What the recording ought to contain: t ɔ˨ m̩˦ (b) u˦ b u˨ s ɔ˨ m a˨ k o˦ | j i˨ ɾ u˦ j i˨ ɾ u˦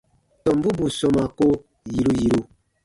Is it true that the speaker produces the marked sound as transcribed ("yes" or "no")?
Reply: yes